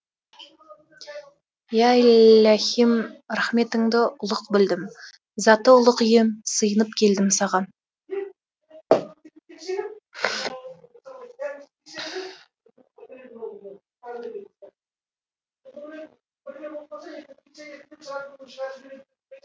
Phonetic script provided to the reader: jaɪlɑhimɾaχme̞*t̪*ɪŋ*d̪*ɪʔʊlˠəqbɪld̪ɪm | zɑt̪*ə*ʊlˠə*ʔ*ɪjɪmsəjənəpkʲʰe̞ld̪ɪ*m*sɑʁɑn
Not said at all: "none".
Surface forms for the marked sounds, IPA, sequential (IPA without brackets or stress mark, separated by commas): t̪, d̪, ə, q, m